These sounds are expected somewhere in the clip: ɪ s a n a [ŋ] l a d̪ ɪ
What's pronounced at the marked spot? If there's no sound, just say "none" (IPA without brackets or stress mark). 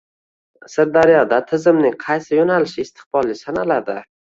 none